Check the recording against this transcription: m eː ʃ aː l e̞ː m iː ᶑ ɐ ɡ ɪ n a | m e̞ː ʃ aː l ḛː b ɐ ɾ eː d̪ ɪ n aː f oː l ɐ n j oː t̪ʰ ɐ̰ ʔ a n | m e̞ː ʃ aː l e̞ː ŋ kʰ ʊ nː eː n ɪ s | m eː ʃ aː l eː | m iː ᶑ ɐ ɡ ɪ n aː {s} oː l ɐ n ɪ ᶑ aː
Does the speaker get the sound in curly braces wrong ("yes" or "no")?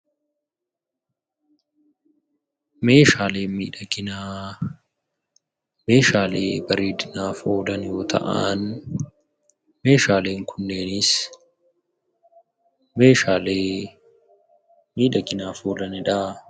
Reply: yes